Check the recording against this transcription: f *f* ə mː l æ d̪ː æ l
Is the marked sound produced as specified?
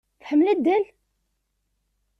no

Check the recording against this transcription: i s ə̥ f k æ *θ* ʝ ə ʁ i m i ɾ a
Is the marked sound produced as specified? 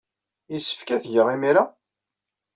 yes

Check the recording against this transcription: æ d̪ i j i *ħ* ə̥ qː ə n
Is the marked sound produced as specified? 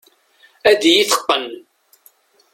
no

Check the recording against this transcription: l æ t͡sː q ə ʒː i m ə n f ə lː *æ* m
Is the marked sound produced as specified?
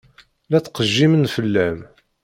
yes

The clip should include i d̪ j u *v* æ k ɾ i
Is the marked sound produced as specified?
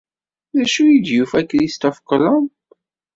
no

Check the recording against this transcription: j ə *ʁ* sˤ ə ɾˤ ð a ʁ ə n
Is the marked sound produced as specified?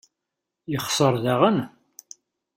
no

